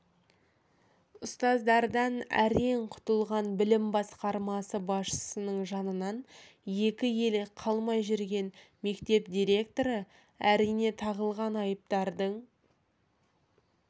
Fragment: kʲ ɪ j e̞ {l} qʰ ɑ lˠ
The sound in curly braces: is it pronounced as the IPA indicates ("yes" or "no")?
yes